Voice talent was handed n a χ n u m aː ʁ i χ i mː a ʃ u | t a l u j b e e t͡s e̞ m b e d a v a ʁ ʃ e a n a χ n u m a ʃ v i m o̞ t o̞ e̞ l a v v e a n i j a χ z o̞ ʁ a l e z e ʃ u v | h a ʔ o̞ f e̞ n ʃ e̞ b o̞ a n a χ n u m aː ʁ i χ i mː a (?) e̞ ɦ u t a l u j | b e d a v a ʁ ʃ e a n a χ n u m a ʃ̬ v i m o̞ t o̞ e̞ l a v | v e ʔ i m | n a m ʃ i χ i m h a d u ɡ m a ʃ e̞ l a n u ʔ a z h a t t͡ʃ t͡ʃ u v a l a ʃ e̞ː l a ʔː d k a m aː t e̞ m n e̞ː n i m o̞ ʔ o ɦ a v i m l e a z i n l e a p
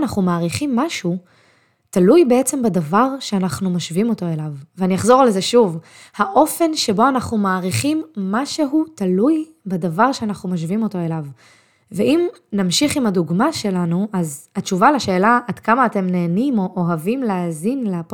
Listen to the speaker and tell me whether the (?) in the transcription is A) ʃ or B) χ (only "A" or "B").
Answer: A